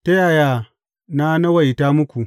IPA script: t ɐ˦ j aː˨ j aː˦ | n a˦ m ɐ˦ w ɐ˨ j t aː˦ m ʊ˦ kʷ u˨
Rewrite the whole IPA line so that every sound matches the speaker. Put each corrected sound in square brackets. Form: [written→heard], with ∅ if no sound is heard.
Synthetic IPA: t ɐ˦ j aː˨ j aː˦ | n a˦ [m→n] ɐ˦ w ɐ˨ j t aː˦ m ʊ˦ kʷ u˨